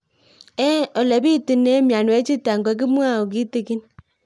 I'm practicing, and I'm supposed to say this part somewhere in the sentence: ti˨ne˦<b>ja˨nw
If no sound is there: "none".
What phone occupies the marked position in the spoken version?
m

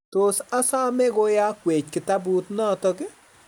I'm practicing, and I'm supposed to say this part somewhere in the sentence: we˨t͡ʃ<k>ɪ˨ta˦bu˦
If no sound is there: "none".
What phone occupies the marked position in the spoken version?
k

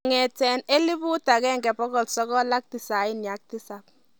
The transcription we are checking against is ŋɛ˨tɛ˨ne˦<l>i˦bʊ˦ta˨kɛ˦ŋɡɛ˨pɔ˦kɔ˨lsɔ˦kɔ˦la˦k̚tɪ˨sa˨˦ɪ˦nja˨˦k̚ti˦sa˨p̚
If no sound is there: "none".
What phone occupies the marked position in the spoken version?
l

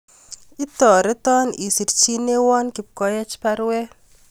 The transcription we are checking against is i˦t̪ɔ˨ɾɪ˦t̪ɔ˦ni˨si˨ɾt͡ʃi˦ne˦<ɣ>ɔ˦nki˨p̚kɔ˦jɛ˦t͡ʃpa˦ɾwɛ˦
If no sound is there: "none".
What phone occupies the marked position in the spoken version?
w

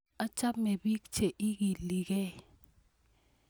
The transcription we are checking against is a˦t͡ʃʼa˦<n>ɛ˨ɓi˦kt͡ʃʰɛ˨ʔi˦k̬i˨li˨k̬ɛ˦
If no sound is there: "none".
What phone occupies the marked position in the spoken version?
m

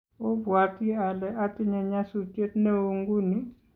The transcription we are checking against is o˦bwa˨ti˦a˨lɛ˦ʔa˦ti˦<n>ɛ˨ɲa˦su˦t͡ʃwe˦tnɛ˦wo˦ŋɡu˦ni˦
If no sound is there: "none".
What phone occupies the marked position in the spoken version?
ɲ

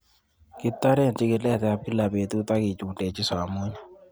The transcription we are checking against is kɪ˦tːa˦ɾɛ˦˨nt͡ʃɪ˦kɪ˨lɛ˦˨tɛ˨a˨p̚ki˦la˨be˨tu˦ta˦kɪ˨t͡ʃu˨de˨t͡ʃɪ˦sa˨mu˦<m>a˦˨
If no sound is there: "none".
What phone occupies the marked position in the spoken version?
ɲ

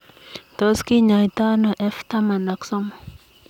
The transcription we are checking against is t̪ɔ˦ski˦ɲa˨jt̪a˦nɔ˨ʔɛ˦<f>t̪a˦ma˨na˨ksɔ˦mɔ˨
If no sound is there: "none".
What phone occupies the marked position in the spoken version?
f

